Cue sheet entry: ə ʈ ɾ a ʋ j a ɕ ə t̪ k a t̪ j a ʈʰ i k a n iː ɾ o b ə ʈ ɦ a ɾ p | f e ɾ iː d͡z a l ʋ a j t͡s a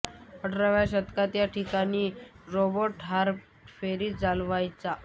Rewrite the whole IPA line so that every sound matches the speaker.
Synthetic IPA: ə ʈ ɾ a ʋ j a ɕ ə t̪ k a t̪ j a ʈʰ i k a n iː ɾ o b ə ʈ ɦ a ɾ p | f e ɾ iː d͡z a l ʋ a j t͡s a

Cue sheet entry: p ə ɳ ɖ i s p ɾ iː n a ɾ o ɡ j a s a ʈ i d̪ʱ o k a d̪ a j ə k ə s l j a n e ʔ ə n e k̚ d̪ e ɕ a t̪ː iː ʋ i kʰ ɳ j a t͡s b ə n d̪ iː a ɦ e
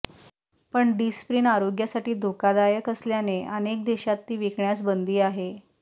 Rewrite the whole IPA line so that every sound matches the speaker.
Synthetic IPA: p ə ɳ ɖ i s p ɾ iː n a ɾ o ɡ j a s a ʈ iː d̪ʱ o k a d̪ a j ə k ə s l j a n e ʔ ə n e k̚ d̪ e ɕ a t̪ː iː ʋ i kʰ ɳ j a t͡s b ə n d̪ iː a ɦ e

